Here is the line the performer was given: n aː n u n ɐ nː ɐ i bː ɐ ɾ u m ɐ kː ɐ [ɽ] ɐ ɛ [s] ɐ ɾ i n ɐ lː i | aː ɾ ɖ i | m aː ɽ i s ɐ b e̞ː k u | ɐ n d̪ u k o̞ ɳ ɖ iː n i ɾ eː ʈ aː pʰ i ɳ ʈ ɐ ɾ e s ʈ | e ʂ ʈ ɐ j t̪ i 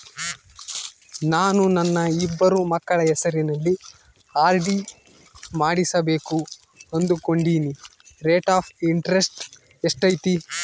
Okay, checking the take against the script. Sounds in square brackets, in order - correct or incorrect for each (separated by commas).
incorrect, correct